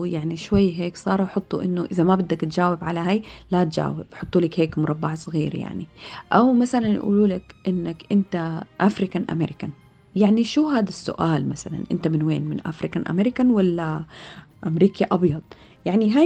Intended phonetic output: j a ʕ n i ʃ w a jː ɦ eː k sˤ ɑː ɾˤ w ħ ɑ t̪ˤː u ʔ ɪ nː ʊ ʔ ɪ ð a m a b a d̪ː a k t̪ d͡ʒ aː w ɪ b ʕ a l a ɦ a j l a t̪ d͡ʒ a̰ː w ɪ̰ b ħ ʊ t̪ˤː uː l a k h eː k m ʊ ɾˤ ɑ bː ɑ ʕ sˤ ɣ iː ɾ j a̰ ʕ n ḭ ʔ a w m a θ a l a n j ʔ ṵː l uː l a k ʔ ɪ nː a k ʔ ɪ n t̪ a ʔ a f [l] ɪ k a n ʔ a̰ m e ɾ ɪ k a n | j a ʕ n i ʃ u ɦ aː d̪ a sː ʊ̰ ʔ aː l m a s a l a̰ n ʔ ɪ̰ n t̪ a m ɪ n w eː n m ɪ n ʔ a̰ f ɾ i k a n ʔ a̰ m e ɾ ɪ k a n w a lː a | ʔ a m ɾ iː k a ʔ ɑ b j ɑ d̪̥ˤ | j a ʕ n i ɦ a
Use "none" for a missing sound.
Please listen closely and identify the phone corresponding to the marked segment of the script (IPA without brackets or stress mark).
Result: ɾ